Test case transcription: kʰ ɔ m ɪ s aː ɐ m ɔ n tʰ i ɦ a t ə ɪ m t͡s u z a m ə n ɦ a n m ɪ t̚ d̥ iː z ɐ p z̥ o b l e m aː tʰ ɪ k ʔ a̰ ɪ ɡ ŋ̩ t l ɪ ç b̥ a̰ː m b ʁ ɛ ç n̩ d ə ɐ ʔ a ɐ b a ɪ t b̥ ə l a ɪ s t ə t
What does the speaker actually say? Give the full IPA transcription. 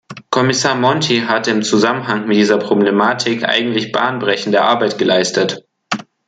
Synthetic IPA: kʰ ɔ m ɪ s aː ɐ m ɔ n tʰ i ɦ a t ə ɪ m t͡s u z a m ə n ɦ a ŋ m ɪ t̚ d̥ iː z ɐ p ʁ̥ o b l e m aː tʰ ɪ k ʔ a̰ ɪ ɡ ŋ̩ t l ɪ ç b̥ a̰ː n b ʁ ɛ ç n̩ d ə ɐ ʔ a ɐ b a ɪ t ɡ̥ ə l a ɪ s t ə t